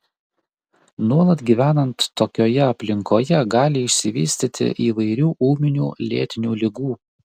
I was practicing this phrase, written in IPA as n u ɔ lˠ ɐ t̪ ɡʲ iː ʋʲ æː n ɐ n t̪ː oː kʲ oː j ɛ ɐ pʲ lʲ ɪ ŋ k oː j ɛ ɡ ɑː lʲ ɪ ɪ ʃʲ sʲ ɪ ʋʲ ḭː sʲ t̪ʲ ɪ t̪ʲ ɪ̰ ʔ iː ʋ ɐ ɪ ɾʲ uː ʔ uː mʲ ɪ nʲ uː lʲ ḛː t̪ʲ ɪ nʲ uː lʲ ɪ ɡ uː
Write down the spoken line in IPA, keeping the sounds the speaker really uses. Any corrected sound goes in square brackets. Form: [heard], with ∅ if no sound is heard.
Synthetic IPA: n u ɔ lˠ ɐ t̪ ɡʲ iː ʋʲ æː n ɐ n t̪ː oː kʲ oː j ɛ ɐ pʲ lʲ ɪ ŋ k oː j ɛ ɡ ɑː lʲ ɪ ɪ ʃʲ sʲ ɪ ʋʲ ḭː sʲ t̪ʲ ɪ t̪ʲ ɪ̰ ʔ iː ʋ ɐ ɪ ɾʲ uː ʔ uː mʲ ɪ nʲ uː lʲ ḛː t̪ʲ ɪ nʲ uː lʲ ɪ ɡ uː

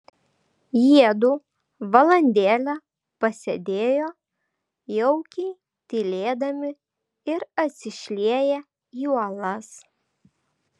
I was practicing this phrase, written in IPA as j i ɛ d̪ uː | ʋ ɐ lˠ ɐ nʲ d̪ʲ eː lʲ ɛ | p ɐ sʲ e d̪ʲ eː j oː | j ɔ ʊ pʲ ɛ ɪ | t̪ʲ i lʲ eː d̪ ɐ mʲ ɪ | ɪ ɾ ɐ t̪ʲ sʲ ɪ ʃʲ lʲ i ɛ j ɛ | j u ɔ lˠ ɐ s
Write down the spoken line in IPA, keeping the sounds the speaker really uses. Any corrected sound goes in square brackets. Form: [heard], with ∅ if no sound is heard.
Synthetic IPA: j i ɛ d̪ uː | ʋ ɐ lˠ ɐ nʲ d̪ʲ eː lʲ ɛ | p ɐ sʲ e d̪ʲ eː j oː | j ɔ ʊ [kʲ] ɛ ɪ | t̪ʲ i lʲ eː d̪ ɐ mʲ ɪ | ɪ ɾ ɐ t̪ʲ sʲ ɪ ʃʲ lʲ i ɛ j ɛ | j u ɔ lˠ ɐ s

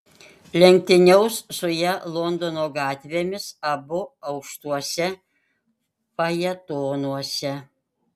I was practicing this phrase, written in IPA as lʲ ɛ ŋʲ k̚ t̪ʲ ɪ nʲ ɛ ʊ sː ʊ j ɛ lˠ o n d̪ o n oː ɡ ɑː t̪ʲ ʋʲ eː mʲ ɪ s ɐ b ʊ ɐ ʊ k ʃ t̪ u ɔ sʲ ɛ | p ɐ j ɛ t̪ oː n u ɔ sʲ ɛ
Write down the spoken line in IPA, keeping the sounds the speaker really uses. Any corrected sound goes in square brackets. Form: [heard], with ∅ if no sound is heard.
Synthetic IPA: lʲ ɛ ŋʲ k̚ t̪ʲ ɪ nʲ ɛ ʊ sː ʊ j ɛ lˠ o n d̪ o n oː ɡ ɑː t̪ʲ ʋʲ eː mʲ ɪ s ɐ b ʊ ɐ ʊ k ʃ t̪ u ɔ sʲ ɛ | p ɐ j ɛ t̪ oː n u ɔ sʲ ɛ

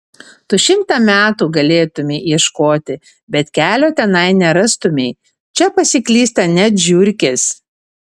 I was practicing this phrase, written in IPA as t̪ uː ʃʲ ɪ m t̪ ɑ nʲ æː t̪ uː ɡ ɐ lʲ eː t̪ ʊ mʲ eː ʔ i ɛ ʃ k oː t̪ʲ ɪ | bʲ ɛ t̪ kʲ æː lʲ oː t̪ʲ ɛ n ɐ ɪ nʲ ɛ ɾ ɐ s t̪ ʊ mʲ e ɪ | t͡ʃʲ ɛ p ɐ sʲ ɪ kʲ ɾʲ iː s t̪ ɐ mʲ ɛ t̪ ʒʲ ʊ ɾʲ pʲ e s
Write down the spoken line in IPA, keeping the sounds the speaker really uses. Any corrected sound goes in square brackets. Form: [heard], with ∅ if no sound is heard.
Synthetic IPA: t̪ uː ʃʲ ɪ m t̪ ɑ [mʲ] æː t̪ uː ɡ ɐ lʲ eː t̪ ʊ mʲ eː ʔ i ɛ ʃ k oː t̪ʲ ɪ | bʲ ɛ t̪ kʲ æː lʲ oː t̪ʲ ɛ n ɐ ɪ nʲ ɛ ɾ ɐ s t̪ ʊ mʲ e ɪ | t͡ʃʲ ɛ p ɐ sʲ ɪ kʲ [lʲ] iː s t̪ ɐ [nʲ] ɛ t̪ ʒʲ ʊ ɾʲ [kʲ] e s

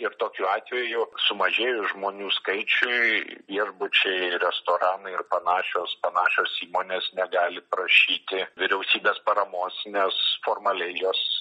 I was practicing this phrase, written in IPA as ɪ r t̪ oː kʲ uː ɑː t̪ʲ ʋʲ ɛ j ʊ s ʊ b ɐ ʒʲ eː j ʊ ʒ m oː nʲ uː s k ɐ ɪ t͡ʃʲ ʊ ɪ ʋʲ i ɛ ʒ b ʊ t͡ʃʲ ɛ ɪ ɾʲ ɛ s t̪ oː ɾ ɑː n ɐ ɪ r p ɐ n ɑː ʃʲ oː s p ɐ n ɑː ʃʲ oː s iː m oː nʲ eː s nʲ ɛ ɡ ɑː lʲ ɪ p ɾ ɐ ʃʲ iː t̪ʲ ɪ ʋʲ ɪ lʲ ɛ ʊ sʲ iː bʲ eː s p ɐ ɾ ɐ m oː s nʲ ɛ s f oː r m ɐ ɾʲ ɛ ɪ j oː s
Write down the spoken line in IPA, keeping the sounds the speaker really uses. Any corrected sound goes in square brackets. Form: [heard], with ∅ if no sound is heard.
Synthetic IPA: ɪ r t̪ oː kʲ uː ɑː t̪ʲ ʋʲ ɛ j ʊ s ʊ [m] ɐ ʒʲ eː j ʊ ʒ m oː nʲ uː s k ɐ ɪ t͡ʃʲ ʊ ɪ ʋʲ i ɛ ʒ b ʊ t͡ʃʲ ɛ ɪ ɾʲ ɛ s t̪ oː ɾ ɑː n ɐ ɪ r p ɐ n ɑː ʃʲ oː s p ɐ n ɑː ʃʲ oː s iː m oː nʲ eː s nʲ ɛ ɡ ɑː lʲ ɪ p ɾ ɐ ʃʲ iː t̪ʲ ɪ ʋʲ ɪ [ɾʲ] ɛ ʊ sʲ iː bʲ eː s p ɐ ɾ ɐ m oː s nʲ ɛ s f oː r m ɐ [lʲ] ɛ ɪ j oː s

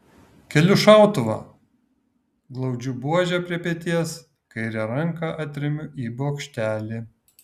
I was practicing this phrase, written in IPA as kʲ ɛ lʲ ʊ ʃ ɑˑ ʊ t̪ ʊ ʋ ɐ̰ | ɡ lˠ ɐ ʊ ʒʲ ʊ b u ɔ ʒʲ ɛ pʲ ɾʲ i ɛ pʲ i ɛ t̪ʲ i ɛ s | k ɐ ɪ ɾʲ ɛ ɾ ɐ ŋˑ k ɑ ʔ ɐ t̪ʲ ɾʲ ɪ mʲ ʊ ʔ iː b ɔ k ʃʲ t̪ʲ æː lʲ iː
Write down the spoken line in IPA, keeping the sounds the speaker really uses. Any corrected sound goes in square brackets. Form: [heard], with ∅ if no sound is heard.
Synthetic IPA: kʲ ɛ lʲ ʊ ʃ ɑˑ ʊ t̪ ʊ ʋ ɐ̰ | ɡ lˠ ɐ ʊ [d͡ʒʲ] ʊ b u ɔ ʒʲ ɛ pʲ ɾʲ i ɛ pʲ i ɛ t̪ʲ i ɛ s | k ɐ ɪ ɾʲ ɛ ɾ ɐ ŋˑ k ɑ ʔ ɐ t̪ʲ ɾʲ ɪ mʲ ʊ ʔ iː b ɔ k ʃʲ t̪ʲ æː lʲ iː

